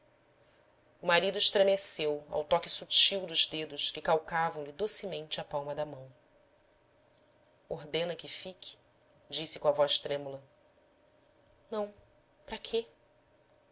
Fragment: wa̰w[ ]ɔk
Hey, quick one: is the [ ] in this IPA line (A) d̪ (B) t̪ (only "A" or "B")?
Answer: B